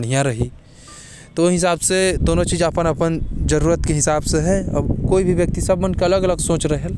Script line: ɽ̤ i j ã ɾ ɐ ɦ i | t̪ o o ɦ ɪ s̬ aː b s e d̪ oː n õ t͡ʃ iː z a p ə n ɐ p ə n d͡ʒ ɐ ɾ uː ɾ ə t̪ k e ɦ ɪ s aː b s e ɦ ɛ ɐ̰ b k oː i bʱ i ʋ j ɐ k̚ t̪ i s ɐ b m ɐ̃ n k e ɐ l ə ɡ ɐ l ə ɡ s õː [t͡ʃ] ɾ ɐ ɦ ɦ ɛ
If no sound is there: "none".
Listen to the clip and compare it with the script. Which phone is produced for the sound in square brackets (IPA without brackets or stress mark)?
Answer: t͡ʃ